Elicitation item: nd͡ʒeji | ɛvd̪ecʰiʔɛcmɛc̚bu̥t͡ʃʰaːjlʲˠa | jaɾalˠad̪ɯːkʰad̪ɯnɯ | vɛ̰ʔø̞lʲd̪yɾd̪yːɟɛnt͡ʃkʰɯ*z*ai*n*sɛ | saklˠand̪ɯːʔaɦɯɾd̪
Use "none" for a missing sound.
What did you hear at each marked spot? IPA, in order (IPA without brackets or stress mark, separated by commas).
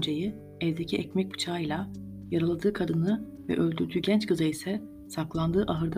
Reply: z, none